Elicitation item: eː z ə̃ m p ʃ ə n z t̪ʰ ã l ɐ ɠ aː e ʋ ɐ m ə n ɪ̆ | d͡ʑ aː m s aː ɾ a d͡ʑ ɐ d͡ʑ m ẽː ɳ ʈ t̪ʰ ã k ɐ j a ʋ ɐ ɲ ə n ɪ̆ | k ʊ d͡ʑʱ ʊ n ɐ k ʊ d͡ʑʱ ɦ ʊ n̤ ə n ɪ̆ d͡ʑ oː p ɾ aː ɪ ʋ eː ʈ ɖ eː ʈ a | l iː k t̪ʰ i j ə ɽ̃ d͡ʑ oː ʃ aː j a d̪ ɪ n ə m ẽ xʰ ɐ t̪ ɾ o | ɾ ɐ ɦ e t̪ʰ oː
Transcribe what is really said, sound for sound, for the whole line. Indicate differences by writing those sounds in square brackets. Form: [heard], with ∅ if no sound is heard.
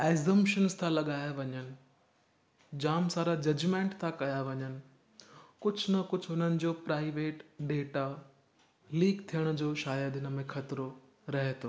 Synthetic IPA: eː z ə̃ m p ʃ ə n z t̪ʰ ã l ɐ ɠ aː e ʋ ɐ [ɲ] ə n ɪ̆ | d͡ʑ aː m s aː ɾ a d͡ʑ ɐ d͡ʑ m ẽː ɳ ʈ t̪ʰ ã k ɐ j a ʋ ɐ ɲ ə n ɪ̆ | k ʊ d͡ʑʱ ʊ n ɐ k ʊ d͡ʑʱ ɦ ʊ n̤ ə n ɪ̆ d͡ʑ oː p ɾ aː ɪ ʋ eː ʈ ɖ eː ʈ a | l iː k t̪ʰ i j ə ɽ̃ d͡ʑ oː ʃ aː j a d̪ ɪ n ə m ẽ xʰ ɐ t̪ ɾ o | ɾ ɐ ɦ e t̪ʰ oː